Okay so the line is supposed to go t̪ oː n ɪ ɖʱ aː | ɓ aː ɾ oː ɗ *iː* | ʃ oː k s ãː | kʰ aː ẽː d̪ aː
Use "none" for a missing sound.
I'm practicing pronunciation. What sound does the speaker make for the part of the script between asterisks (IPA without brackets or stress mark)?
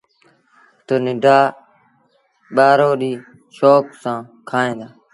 iː